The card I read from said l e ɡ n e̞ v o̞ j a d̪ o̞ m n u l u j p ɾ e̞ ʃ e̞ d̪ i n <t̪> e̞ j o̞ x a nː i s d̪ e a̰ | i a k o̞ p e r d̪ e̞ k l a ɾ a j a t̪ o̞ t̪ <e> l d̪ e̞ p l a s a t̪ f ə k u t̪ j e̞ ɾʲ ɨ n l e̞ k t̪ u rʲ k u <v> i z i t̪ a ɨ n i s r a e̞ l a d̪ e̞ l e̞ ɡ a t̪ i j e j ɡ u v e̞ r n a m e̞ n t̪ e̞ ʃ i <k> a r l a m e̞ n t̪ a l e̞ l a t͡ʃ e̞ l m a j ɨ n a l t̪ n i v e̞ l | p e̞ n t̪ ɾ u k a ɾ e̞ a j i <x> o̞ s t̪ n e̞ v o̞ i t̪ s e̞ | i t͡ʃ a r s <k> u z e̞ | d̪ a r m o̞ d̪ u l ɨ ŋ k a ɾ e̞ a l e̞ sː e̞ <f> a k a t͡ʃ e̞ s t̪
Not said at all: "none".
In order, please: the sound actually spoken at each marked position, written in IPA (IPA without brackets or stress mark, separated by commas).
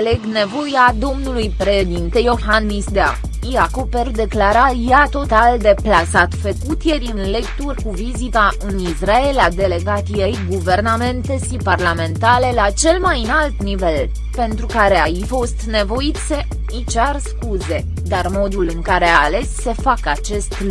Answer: t̪, a, v, p, f, k, f